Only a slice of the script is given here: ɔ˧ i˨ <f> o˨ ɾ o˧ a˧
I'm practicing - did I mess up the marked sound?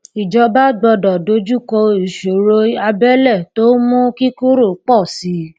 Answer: yes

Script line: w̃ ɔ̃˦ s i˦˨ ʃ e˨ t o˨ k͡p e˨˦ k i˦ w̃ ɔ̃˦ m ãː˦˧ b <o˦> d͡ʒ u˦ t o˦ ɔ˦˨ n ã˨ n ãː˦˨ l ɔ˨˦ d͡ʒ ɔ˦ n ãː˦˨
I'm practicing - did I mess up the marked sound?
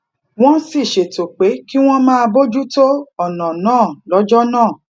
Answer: no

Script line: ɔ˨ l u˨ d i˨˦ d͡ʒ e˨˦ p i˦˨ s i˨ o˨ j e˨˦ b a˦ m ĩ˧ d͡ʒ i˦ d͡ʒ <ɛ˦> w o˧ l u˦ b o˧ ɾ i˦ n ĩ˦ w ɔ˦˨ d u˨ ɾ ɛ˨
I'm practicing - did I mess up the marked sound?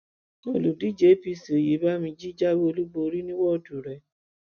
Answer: yes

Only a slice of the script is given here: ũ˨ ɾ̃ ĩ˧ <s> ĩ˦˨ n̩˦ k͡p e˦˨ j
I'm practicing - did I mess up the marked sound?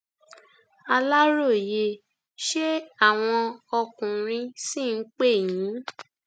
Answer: no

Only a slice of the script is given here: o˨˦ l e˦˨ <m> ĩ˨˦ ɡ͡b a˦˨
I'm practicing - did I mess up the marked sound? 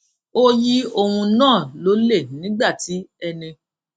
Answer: yes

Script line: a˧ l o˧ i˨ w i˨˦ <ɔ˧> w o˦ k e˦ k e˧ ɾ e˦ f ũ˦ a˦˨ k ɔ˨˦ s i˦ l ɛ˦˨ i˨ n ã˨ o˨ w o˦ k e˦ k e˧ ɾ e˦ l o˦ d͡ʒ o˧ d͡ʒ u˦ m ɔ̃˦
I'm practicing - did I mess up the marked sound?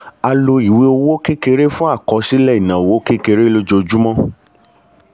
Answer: yes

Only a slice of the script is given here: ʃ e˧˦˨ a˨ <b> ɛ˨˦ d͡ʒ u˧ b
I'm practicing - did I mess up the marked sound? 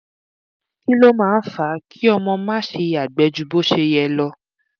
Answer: yes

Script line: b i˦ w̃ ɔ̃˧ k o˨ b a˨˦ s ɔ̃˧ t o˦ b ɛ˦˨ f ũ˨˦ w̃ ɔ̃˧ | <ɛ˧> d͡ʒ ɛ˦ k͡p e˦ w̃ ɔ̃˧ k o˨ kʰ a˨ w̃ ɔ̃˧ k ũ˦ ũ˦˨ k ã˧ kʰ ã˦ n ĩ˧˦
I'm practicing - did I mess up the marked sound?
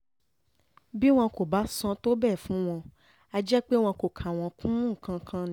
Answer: yes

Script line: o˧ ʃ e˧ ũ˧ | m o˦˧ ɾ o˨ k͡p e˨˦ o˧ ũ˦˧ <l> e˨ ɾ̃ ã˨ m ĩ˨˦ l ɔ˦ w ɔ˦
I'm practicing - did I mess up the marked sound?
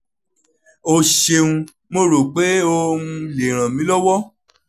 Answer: no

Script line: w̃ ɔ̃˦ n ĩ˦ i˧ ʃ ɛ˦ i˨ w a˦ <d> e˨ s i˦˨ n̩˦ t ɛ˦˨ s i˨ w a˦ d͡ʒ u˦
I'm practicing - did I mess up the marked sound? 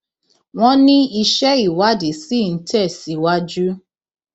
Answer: no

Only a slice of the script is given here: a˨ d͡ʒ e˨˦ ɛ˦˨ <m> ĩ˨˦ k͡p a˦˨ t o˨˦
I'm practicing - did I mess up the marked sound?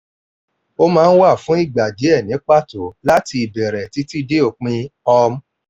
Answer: yes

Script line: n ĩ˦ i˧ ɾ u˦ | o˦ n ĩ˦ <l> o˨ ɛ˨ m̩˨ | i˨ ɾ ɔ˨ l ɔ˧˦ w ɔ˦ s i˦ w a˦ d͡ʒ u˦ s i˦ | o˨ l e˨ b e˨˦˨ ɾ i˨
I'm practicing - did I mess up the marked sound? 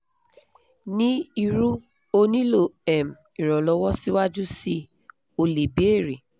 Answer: no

